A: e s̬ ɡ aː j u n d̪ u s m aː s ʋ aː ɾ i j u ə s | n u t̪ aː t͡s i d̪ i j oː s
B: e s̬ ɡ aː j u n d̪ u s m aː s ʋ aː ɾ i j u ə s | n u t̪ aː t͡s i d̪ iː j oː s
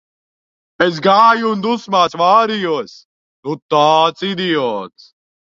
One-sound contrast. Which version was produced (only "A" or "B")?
A